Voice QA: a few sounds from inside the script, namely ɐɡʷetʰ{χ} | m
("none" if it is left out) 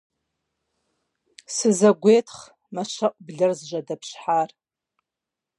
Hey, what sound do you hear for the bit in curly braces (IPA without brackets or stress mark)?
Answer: χ